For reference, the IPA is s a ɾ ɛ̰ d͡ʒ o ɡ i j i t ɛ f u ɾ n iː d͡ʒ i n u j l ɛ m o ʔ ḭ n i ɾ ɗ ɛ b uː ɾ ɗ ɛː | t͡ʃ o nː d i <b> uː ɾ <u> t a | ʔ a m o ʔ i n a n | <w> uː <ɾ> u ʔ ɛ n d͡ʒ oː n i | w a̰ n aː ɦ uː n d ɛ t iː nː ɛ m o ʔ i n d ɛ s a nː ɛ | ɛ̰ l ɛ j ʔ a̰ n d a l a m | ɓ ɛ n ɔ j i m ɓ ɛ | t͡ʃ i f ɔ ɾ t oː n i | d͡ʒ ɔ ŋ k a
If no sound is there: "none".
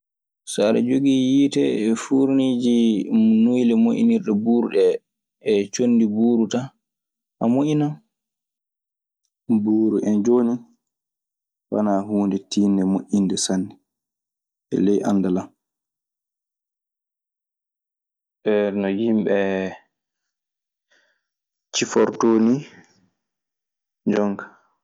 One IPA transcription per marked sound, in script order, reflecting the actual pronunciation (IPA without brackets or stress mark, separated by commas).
b, u, b, ɾ